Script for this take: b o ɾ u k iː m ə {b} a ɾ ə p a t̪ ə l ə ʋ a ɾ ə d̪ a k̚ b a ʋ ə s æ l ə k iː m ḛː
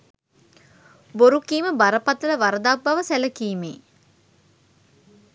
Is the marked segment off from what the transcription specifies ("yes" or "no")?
no